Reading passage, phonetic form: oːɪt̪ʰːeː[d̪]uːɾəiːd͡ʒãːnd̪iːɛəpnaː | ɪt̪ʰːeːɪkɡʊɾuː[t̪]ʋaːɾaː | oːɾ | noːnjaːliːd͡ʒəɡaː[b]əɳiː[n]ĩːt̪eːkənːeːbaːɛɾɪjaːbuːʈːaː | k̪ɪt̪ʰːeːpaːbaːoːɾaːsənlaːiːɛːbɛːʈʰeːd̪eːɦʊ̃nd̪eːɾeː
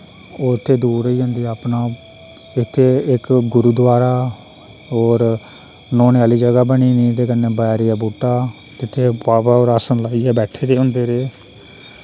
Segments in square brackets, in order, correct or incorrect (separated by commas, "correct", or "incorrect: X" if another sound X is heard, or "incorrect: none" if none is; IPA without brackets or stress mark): correct, incorrect: d̪, correct, correct